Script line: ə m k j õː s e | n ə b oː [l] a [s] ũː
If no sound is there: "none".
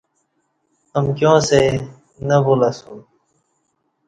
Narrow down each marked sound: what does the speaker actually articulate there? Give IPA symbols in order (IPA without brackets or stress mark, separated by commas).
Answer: l, s